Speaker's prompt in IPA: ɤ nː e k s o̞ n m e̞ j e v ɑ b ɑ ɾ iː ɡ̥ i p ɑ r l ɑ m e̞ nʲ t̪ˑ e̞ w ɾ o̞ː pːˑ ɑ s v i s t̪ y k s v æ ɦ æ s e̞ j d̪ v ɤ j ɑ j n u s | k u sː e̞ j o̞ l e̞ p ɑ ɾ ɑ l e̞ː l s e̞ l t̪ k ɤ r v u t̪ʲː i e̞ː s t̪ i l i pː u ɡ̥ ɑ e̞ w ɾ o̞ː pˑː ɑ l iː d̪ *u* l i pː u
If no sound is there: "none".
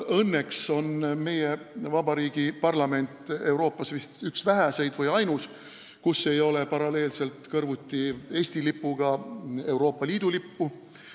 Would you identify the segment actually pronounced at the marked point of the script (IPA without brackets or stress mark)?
u